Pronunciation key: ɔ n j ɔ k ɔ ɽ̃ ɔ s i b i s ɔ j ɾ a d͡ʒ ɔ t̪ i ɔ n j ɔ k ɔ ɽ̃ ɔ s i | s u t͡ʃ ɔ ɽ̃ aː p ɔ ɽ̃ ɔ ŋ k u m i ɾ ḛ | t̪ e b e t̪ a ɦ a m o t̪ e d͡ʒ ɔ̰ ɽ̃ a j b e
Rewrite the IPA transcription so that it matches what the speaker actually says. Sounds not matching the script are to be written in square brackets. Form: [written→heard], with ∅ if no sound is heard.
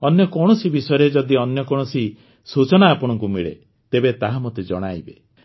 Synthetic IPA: ɔ n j ɔ k ɔ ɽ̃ ɔ s i b i s ɔ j ɾ [a→e] d͡ʒ ɔ [t̪→d̪] i ɔ n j ɔ k ɔ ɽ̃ ɔ s i | s u t͡ʃ ɔ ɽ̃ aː p ɔ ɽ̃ ɔ ŋ k u m i [ɾ→ɭ] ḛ | t̪ e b e t̪ a ɦ a m o t̪ e d͡ʒ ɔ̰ ɽ̃ a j b e